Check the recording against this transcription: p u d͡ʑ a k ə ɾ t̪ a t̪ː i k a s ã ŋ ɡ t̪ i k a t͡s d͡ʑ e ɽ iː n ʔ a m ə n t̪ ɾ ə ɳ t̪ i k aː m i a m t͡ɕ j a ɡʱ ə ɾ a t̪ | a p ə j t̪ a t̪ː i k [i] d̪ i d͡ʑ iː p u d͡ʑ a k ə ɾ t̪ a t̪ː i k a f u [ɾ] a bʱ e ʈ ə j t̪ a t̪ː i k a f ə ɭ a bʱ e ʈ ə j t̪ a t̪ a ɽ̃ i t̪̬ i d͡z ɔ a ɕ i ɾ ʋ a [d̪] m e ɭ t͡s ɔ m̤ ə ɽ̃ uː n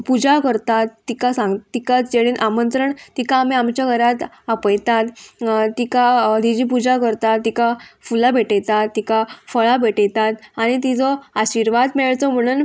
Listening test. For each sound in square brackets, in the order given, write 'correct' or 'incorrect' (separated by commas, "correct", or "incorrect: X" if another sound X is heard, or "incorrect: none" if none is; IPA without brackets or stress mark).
incorrect: a, incorrect: l, correct